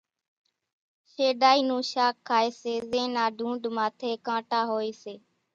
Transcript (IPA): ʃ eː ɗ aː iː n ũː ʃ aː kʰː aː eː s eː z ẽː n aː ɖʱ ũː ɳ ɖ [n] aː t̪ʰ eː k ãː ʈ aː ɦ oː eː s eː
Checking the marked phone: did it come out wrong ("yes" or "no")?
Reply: yes